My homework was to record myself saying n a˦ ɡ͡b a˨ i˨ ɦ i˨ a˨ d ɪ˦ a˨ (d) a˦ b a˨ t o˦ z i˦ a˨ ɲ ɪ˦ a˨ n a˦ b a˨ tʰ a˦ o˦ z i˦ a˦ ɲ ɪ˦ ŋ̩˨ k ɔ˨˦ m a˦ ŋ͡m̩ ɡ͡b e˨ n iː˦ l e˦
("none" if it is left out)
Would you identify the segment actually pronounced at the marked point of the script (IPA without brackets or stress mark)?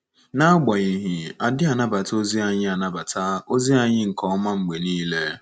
n